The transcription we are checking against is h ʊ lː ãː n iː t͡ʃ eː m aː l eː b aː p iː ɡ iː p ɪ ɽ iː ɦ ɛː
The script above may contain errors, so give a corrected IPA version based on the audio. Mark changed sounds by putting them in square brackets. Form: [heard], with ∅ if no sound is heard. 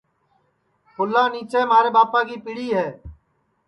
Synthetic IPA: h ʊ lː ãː n iː t͡ʃ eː m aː [ɾ] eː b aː p [aː] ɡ iː p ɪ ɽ iː ɦ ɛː